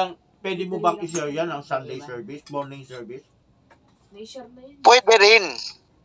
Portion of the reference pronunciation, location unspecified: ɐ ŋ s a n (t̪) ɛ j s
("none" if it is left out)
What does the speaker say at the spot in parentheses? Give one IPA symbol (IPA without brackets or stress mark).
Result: d̪